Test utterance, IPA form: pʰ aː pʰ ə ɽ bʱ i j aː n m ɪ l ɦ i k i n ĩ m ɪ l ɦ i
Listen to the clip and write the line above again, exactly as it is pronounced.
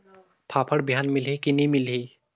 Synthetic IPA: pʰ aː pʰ ə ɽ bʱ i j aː n m ɪ l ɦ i k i n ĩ m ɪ l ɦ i